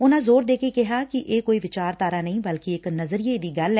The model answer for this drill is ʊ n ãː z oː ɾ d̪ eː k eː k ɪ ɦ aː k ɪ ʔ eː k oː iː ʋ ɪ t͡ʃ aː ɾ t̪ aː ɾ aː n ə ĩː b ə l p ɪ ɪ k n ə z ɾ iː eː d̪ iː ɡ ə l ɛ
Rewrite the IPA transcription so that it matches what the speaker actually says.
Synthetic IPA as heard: ʊ n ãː z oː ɾ d̪ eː k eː k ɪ ɦ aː k ɪ ʔ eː k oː iː ʋ ɪ t͡ʃ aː ɾ t̪ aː ɾ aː n ə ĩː b ə l k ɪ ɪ k n ə z ɾ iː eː d̪ iː ɡ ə l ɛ